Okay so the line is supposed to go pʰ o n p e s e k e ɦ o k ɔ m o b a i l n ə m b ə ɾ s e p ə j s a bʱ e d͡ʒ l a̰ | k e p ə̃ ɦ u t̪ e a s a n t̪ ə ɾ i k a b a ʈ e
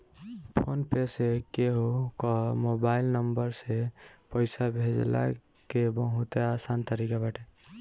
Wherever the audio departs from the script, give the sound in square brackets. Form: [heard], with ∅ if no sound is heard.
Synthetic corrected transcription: pʰ o n p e s e k e ɦ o k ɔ m o b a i l n ə m b ə ɾ s e p ə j s a bʱ e d͡ʒ l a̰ | k e [b] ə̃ ɦ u t̪ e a s a n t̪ ə ɾ i k a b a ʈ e